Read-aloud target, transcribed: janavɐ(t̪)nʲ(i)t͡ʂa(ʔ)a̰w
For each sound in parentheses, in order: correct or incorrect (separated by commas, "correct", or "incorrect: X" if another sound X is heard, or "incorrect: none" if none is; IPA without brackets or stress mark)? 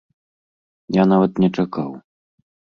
correct, incorrect: ɛ, incorrect: k